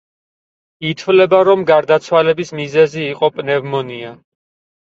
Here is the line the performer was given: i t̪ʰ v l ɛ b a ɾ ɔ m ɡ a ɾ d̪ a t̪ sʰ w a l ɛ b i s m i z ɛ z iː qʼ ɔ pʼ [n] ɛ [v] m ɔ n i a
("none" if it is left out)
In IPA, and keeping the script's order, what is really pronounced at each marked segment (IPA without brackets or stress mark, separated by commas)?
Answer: n, v